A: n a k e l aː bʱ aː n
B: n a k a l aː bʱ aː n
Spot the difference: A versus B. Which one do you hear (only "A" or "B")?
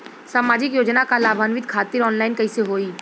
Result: B